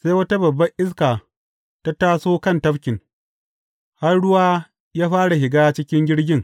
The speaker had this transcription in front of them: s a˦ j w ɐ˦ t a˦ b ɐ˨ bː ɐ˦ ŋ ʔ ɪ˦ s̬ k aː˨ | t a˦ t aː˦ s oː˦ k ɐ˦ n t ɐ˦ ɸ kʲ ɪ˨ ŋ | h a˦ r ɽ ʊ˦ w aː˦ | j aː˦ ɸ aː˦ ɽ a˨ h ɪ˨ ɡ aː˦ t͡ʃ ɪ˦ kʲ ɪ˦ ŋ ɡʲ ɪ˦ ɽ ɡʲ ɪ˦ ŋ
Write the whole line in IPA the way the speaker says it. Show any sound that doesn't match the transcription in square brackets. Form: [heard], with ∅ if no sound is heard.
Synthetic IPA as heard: s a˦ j w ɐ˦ t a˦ b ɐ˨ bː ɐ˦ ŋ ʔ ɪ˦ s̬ k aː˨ | t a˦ t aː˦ s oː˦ k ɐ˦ n t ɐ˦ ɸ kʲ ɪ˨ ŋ | h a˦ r ɽ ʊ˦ w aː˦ | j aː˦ ɸ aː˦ ɽ a˨ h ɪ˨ ɡ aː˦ t͡ʃ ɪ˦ kʲ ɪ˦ ŋ ɡʲ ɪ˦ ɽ ɡʲ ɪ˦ ŋ